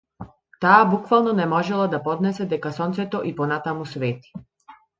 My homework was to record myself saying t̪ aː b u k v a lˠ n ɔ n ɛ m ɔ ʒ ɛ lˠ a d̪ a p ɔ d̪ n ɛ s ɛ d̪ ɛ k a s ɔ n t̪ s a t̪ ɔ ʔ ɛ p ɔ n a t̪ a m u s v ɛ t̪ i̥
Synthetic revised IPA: t̪ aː b u k v a lˠ n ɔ n ɛ m ɔ ʒ ɛ lˠ a d̪ a p ɔ d̪ n ɛ s ɛ d̪ ɛ k a s ɔ n t̪ s ɛ t̪ ɔ ʔ i p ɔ n a t̪ a m u s v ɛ t̪ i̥